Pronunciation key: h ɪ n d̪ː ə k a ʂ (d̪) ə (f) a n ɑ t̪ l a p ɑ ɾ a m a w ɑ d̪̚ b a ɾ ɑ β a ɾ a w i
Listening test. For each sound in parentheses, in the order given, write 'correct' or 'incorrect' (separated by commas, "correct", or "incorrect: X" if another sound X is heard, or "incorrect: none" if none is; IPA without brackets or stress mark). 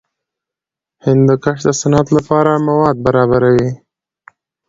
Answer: correct, incorrect: s